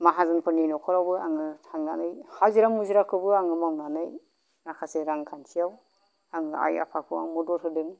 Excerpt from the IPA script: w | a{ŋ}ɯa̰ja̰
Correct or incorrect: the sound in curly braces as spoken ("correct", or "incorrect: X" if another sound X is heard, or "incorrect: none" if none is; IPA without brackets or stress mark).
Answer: correct